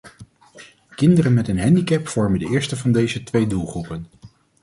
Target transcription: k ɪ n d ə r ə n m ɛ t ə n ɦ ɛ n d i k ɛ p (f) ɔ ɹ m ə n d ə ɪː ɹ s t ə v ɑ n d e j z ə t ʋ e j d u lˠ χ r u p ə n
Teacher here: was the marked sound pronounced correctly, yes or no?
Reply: yes